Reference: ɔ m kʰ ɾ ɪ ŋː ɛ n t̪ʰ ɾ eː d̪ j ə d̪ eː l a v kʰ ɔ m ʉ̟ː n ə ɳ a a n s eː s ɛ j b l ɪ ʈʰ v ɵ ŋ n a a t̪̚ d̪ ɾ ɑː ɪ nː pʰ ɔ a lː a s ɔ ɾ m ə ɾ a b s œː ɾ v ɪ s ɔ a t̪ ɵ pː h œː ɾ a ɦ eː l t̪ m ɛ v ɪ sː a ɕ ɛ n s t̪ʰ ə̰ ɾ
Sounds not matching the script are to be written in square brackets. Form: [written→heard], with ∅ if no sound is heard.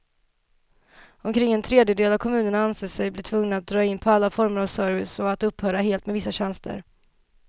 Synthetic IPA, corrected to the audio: ɔ m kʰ ɾ ɪ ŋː ɛ n t̪ʰ ɾ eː d̪ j ə d̪ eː l a v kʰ ɔ m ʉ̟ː n ə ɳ a a n s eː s ɛ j b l ɪ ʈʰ v ɵ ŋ n a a t̪̚ d̪ ɾ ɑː ɪ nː pʰ ɔ a lː a [s→f] ɔ ɾ m ə ɾ a [b→v] s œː ɾ v ɪ s ɔ a t̪ ɵ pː h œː ɾ a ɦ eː l t̪ m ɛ v ɪ sː a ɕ ɛ n s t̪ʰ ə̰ ɾ